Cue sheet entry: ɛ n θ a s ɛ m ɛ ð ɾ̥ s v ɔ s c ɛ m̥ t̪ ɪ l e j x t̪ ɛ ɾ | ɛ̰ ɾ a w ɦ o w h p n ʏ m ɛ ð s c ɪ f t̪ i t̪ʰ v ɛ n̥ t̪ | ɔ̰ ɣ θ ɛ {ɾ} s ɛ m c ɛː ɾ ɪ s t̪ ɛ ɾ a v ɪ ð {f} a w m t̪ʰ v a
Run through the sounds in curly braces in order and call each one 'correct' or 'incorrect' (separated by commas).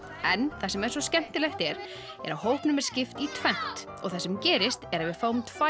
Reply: incorrect, correct